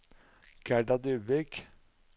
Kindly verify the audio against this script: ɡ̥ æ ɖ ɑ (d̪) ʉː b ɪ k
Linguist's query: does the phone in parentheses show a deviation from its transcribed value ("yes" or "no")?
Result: no